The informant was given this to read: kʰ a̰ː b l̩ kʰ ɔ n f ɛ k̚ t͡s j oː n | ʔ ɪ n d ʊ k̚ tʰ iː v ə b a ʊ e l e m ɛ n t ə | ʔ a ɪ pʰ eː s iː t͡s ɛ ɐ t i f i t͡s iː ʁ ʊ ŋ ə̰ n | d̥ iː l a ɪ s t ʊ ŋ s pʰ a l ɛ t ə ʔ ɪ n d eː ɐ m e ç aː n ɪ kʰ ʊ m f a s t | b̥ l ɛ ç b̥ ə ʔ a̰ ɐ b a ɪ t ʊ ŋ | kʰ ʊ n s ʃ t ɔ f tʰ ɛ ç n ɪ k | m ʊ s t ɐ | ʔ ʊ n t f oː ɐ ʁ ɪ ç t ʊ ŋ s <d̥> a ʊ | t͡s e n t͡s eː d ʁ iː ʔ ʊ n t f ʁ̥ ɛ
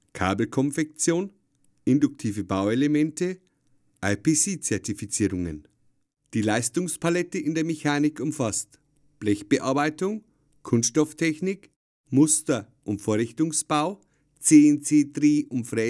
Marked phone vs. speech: incorrect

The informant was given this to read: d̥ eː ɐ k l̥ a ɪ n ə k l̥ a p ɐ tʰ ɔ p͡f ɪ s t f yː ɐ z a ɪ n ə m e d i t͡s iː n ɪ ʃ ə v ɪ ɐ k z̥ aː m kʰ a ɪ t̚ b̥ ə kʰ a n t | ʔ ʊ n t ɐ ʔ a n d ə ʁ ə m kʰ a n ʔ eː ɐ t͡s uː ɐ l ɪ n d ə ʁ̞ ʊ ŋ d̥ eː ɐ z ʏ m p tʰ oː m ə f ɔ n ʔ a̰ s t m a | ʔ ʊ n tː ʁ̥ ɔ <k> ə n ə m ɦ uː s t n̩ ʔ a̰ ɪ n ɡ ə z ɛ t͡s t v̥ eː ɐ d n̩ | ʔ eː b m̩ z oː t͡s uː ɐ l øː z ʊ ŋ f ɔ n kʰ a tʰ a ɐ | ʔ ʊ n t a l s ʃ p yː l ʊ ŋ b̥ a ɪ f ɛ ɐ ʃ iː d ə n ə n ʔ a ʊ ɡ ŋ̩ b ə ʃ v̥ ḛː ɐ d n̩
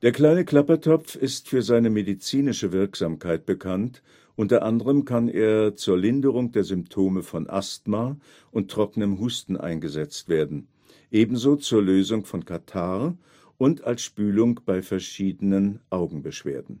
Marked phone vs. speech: correct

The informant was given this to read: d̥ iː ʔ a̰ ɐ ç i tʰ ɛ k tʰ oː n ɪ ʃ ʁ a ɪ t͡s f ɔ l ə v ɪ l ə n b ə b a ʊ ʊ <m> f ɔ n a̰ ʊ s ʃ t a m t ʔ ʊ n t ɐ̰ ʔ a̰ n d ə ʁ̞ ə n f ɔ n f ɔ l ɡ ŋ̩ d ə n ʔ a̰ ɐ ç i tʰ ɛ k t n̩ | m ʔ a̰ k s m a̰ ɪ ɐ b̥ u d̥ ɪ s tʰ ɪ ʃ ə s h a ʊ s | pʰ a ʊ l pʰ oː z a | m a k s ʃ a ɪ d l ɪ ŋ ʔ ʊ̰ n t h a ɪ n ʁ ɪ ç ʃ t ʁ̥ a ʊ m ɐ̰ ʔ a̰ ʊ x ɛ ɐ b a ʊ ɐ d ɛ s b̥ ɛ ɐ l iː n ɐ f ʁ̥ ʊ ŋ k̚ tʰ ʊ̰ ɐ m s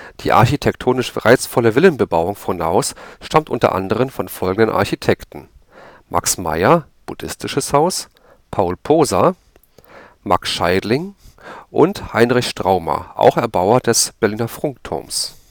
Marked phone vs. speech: incorrect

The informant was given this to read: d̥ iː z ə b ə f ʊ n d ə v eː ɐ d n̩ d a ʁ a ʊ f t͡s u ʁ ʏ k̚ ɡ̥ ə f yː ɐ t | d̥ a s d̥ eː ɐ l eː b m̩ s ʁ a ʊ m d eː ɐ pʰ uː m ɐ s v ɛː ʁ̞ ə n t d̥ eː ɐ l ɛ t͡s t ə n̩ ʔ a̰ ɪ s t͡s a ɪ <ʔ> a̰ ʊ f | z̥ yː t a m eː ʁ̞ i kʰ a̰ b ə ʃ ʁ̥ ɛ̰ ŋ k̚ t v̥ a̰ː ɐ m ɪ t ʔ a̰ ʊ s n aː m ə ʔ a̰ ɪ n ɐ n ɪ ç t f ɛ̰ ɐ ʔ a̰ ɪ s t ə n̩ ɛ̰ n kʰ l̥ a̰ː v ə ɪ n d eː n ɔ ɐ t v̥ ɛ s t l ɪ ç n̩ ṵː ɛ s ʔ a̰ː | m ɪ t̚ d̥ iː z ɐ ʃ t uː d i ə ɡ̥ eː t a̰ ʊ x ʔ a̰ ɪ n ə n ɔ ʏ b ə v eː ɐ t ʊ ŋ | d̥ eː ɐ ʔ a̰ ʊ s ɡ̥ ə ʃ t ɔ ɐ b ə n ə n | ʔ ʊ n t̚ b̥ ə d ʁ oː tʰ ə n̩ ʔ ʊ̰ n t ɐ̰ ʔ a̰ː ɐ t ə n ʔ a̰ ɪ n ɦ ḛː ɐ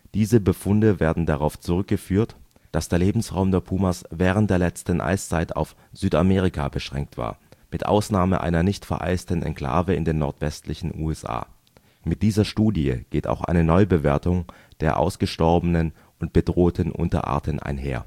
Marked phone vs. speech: incorrect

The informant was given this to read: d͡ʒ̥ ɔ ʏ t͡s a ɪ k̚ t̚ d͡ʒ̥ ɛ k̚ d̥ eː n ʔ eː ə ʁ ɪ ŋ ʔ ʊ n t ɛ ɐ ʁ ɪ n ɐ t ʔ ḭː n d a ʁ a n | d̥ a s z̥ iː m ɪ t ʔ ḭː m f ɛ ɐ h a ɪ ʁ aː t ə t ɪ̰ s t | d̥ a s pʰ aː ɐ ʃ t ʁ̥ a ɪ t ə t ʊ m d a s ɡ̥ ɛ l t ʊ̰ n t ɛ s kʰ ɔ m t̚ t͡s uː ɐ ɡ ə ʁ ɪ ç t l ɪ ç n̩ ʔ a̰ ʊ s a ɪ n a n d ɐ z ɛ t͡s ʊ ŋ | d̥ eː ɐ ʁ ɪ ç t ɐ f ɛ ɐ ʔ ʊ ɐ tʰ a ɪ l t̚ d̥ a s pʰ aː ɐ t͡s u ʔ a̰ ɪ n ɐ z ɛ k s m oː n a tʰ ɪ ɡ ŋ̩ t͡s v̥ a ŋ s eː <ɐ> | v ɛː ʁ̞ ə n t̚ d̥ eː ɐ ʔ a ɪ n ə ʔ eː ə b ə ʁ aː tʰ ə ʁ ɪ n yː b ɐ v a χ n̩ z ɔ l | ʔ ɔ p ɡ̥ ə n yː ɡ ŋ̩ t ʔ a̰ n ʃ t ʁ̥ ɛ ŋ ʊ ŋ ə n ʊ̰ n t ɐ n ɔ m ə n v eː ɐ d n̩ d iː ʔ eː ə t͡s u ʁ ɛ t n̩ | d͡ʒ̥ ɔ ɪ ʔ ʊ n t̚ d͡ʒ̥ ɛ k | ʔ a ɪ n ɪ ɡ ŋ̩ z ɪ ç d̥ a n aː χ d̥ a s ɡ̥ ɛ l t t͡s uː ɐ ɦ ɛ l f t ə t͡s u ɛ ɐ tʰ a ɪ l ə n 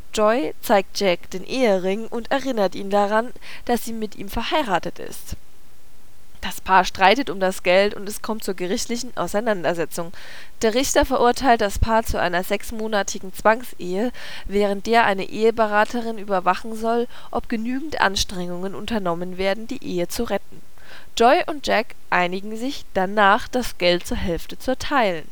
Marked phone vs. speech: incorrect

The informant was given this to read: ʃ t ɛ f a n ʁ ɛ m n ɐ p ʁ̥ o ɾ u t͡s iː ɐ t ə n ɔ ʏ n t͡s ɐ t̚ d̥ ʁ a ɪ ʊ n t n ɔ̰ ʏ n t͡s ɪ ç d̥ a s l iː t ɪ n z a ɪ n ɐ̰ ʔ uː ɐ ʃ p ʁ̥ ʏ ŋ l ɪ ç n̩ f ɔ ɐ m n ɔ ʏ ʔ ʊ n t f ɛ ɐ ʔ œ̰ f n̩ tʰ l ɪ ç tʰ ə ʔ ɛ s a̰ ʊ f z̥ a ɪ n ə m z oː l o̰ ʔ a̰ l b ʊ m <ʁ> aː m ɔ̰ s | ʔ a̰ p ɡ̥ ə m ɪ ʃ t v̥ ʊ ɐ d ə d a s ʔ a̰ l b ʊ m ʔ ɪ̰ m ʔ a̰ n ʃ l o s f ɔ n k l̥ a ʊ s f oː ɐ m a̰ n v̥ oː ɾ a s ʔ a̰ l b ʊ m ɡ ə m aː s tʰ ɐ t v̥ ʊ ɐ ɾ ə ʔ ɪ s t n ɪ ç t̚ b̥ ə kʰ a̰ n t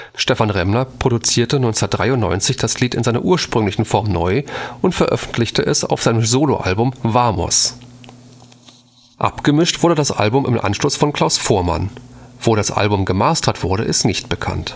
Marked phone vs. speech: incorrect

